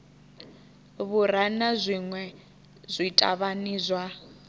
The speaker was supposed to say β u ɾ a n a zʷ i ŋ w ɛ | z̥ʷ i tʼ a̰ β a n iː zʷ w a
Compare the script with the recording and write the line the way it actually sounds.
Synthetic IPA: β u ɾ a n a zʷ i ŋ w ɛ | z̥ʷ i tʼ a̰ β a n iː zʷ w a